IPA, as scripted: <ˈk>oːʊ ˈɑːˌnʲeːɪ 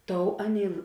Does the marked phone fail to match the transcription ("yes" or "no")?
yes